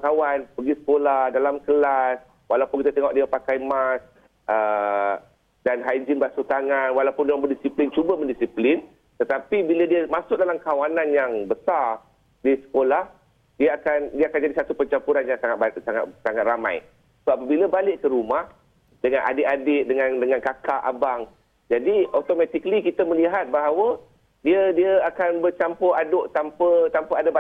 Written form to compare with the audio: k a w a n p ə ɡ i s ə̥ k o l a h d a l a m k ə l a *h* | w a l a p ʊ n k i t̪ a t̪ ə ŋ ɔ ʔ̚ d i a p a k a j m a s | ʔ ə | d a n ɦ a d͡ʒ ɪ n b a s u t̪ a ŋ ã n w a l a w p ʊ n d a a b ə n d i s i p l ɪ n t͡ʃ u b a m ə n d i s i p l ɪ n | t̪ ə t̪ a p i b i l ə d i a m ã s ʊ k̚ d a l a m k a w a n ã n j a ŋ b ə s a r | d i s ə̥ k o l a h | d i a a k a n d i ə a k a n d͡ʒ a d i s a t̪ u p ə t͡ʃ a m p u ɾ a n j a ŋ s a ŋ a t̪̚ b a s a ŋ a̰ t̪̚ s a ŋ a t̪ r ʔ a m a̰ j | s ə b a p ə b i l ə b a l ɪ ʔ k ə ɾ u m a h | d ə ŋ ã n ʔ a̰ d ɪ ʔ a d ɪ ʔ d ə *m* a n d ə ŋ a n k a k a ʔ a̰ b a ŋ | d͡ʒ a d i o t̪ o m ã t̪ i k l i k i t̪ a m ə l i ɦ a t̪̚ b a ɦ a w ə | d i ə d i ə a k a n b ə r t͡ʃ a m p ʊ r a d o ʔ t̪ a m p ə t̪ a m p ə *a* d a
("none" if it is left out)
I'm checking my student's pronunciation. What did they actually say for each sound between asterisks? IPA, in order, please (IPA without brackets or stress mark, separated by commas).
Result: s, ŋ, a